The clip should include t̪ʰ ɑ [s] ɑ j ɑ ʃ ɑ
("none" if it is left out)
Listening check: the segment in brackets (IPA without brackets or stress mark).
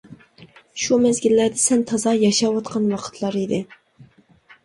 z